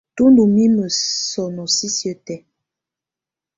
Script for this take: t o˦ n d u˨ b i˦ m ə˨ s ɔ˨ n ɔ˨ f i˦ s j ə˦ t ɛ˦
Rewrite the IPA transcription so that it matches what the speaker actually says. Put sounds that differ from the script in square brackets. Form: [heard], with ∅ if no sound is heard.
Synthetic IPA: t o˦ n d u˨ [m] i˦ m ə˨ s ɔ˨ n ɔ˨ [s] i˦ s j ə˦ t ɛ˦

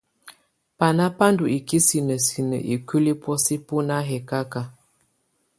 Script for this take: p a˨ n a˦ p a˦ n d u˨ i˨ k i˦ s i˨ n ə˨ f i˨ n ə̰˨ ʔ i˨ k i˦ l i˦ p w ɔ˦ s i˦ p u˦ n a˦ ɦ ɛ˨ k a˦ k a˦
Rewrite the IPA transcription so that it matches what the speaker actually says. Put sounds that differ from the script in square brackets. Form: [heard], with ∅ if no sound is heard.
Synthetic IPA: p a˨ n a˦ p a˦ n d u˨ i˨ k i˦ s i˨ n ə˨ [s] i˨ n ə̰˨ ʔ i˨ k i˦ l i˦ p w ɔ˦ s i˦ p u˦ n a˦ ɦ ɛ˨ k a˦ k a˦

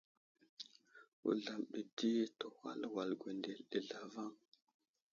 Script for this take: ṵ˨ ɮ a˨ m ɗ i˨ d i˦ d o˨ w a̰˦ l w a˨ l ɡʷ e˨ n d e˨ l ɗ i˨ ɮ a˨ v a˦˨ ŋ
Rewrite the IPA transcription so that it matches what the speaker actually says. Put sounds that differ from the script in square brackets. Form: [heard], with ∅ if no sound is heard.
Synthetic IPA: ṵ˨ ɮ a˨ m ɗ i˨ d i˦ [t] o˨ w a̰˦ l w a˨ l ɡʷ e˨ n d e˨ l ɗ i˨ ɮ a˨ v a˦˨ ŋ

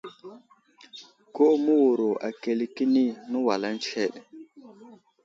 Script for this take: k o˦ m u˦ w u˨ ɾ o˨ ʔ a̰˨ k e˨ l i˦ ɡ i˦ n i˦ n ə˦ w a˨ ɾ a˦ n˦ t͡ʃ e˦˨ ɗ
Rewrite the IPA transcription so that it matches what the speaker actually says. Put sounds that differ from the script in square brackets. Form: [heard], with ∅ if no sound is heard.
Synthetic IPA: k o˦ m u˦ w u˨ ɾ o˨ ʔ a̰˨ k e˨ l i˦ [k] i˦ n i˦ n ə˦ w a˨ [l] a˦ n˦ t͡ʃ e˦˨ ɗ

